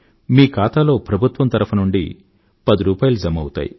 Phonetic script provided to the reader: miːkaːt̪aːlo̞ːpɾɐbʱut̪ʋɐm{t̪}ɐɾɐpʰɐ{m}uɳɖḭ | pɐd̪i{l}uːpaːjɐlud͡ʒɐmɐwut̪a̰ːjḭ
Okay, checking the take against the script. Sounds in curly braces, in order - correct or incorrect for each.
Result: correct, incorrect: n, incorrect: ɾ

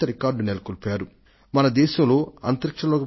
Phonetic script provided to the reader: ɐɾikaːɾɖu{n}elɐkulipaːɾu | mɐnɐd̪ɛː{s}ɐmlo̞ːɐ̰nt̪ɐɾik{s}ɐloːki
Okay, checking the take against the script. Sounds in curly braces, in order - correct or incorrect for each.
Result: correct, incorrect: ʃ, incorrect: ʂ

